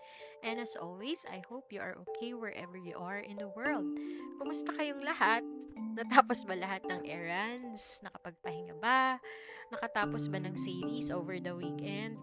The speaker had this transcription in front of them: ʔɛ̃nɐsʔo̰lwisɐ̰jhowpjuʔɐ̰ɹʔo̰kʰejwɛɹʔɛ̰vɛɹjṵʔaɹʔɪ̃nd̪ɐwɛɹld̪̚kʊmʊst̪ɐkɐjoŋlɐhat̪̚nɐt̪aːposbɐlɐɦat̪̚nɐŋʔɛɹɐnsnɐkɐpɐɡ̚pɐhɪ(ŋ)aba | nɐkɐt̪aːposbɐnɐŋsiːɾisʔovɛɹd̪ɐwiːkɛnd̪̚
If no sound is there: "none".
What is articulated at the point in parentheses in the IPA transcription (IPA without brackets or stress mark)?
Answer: ŋ